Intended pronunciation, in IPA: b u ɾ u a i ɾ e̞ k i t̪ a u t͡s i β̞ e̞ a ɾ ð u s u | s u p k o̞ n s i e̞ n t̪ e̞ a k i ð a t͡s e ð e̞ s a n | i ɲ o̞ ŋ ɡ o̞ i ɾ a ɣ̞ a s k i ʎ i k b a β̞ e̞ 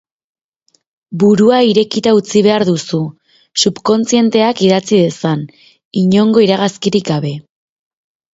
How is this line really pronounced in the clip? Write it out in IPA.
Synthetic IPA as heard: b u ɾ u a i ɾ e̞ k i t̪ a u t͡s i β̞ e̞ a ɾ ð u s u | s u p k o̞ n t͡s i e̞ n t̪ e̞ a k i ð a t͡s i ð e̞ s a n | i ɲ o̞ ŋ ɡ o̞ i ɾ a ɣ̞ a s k i ɾ i k ɡ a β̞ e̞